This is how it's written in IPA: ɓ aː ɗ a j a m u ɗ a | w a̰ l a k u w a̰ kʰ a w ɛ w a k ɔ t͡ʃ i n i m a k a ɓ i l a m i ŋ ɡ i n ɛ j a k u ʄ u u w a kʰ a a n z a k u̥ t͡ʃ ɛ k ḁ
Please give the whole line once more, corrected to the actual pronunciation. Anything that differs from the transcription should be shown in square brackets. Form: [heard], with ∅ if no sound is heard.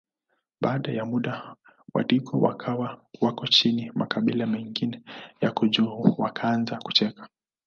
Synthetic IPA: ɓ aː ɗ a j a m u ɗ a | w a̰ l [i] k [ɔ] w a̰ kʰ a w [a] w a k ɔ t͡ʃ i n i m a k a ɓ i l a m [ɛ] ŋ ɡ i n ɛ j a k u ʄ u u w a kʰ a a n z a k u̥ t͡ʃ ɛ k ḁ